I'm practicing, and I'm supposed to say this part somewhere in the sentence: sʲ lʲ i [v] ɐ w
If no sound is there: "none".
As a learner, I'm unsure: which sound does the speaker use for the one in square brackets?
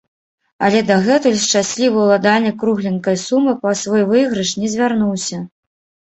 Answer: v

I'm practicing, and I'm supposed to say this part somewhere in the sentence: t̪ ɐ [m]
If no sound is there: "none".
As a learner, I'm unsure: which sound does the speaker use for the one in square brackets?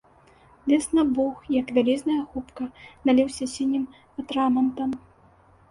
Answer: m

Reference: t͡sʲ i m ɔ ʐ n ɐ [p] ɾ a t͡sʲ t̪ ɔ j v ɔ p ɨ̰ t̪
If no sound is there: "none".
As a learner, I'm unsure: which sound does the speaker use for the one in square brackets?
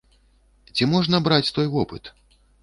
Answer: b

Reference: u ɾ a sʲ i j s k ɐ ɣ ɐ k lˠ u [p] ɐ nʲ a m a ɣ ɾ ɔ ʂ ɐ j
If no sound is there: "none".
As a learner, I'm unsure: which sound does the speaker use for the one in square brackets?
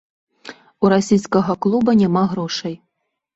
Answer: b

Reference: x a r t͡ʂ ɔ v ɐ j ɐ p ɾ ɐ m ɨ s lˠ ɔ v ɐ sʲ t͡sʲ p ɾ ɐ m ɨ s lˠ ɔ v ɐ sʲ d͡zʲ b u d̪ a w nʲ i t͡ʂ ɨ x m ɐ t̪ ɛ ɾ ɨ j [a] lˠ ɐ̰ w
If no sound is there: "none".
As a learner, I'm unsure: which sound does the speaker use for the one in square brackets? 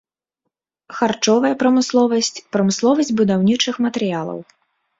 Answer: a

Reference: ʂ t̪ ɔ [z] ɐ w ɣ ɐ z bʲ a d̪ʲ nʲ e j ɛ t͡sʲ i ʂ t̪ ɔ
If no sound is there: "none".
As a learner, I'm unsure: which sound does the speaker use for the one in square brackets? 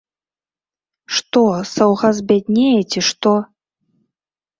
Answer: s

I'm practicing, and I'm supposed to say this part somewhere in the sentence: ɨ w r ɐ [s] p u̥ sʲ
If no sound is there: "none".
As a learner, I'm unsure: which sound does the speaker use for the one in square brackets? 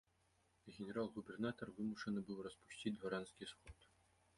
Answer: s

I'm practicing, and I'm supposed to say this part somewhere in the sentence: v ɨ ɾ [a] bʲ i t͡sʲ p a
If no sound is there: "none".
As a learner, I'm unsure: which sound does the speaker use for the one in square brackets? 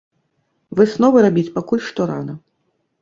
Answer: a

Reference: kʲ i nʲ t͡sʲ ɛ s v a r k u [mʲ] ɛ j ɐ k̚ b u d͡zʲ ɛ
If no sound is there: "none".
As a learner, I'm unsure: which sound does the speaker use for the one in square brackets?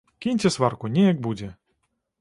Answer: nʲ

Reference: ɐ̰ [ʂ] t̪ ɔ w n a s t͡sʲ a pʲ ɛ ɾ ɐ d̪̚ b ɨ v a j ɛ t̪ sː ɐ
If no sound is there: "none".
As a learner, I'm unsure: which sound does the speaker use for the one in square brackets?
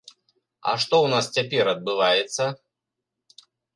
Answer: ʂ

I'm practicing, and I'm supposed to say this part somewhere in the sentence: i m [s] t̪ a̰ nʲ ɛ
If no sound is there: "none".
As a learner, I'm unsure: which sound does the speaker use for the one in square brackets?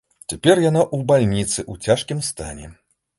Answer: s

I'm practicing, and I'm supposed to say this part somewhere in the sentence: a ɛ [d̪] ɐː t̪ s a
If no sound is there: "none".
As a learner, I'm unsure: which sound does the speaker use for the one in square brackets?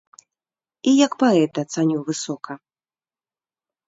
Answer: t̪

